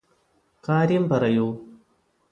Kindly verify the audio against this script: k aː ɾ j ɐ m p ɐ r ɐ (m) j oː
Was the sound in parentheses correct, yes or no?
no